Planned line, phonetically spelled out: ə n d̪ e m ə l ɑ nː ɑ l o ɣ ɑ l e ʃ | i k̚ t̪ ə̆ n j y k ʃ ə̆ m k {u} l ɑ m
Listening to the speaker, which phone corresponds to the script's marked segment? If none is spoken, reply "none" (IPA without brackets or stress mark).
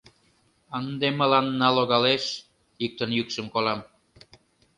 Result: o